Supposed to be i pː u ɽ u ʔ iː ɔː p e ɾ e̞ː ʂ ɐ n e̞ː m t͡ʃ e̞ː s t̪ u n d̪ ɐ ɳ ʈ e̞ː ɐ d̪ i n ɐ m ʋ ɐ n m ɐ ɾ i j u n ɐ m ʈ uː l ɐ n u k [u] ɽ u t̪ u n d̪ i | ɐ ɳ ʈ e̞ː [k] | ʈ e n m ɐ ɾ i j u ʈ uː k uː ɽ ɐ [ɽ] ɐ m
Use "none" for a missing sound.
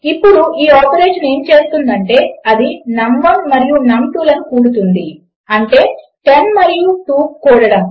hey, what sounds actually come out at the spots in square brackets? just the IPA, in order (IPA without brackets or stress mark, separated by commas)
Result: uː, none, ɽ